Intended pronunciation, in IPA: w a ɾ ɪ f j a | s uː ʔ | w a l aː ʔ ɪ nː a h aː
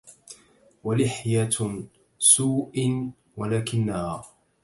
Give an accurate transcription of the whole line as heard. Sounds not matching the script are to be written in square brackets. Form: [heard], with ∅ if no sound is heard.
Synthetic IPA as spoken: w a [l] ɪ [ħ] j a | s uː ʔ | w a l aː [k] ɪ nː a h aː